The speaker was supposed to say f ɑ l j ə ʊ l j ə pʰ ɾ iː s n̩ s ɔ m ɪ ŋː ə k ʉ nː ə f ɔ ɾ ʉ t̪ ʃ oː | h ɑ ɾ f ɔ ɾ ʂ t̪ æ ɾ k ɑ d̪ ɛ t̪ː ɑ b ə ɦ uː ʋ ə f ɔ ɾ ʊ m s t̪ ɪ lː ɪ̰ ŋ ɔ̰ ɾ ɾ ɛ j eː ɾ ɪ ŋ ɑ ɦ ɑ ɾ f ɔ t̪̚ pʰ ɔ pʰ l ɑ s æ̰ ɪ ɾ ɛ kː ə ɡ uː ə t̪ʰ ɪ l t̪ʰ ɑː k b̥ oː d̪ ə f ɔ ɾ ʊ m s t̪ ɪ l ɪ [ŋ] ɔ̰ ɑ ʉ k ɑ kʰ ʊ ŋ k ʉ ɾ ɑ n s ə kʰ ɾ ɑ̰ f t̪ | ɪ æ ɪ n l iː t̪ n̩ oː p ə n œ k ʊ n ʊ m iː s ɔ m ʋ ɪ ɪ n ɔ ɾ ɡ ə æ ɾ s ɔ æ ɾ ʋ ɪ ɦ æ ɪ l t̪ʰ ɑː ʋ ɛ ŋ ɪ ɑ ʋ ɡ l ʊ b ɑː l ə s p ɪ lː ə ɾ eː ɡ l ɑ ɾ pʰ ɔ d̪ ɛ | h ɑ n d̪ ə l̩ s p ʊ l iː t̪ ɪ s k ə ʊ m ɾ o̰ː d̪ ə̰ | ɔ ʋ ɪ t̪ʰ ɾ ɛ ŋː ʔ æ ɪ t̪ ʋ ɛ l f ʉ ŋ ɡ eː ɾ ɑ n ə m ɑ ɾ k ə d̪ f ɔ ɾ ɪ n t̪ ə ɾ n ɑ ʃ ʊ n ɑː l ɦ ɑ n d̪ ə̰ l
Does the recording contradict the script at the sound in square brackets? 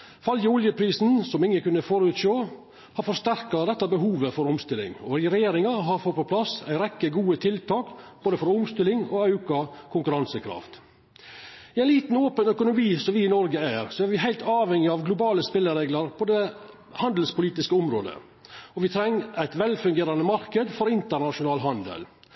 no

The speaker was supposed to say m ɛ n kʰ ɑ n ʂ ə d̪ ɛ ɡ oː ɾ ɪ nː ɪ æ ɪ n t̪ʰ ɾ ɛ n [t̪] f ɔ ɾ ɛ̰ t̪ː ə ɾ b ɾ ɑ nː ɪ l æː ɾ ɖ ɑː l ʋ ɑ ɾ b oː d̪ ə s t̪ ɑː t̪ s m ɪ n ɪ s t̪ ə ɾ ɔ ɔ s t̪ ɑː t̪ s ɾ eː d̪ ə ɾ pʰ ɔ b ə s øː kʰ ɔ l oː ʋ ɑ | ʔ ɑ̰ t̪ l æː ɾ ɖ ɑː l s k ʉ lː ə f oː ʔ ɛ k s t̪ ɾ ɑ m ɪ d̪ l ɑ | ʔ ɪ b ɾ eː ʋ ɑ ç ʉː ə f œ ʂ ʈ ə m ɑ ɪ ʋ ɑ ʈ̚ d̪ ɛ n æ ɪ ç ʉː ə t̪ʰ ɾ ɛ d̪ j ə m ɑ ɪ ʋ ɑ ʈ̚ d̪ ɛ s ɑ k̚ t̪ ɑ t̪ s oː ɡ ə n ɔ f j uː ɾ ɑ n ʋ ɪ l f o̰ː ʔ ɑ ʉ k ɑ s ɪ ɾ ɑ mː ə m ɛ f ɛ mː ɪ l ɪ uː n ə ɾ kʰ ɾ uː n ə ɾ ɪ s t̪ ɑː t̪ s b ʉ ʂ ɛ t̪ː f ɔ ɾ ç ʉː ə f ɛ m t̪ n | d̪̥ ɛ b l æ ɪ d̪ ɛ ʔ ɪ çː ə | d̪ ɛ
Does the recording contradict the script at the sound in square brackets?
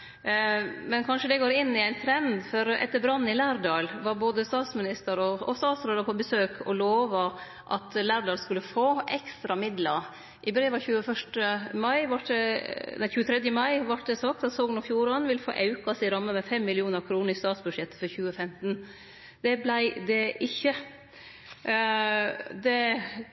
yes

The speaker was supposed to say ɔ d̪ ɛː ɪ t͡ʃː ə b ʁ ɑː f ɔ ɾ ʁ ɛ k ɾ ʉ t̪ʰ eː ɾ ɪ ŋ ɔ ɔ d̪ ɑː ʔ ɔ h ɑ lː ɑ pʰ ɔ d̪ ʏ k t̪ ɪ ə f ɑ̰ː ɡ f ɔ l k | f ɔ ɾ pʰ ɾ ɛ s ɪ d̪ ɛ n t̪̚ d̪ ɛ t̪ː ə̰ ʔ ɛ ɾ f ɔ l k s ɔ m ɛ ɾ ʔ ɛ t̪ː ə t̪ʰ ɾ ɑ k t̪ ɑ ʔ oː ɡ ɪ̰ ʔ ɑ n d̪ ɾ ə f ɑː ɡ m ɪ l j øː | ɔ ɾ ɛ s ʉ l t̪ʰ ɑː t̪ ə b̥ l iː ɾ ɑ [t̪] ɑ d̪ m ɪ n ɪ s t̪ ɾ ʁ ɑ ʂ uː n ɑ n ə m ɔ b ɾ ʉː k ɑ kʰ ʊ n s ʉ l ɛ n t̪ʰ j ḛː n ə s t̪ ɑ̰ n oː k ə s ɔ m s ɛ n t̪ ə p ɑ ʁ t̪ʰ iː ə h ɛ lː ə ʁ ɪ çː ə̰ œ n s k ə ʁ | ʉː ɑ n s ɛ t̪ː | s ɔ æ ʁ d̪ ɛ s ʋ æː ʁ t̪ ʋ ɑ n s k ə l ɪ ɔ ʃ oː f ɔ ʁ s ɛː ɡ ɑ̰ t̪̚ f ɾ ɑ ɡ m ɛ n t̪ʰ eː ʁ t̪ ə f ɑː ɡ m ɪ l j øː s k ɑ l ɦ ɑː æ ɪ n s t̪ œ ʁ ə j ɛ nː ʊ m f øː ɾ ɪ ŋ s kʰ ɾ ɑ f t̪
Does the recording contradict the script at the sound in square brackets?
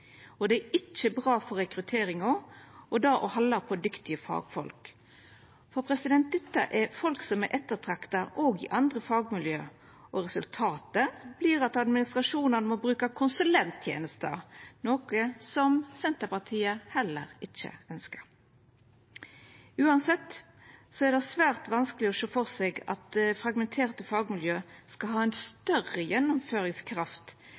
no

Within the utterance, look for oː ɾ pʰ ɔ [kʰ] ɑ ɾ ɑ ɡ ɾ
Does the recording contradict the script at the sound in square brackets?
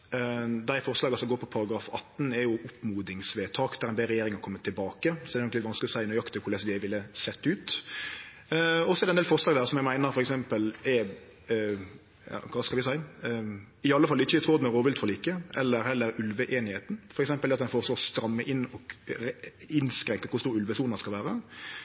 yes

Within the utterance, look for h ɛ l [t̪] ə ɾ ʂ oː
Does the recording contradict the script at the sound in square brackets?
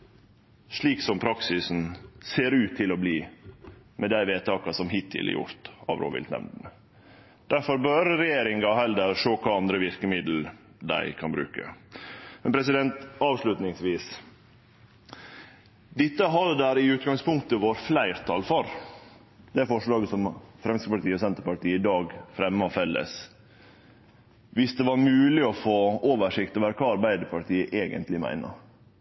yes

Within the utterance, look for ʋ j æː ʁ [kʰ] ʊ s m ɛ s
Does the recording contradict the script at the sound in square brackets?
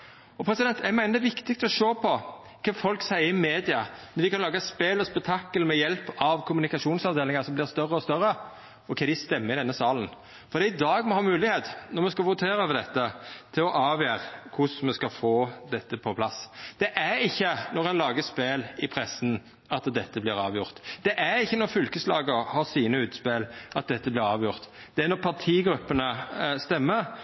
no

